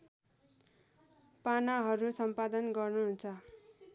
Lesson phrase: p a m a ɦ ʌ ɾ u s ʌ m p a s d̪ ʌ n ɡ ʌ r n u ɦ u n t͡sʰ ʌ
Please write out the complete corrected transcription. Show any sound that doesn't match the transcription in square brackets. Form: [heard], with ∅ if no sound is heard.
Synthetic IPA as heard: p a [n] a ɦ ʌ ɾ u s ʌ m p a [∅] d̪ ʌ n ɡ ʌ r n u ɦ u n t͡sʰ ʌ